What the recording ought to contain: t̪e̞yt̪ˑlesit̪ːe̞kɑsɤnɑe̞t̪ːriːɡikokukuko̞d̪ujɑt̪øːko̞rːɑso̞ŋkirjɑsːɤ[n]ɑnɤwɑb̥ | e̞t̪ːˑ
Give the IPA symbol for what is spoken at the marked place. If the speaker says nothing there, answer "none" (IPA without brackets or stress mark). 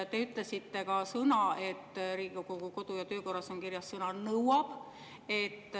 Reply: n